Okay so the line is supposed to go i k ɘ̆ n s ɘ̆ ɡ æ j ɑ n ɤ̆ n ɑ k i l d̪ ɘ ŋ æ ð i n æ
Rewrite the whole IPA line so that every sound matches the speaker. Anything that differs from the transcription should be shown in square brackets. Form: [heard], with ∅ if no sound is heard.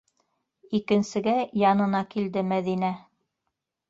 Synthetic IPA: i k ɘ̆ n s ɘ̆ ɡ æ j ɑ n ɤ̆ n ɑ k i l d̪ ɘ [m] æ ð i n æ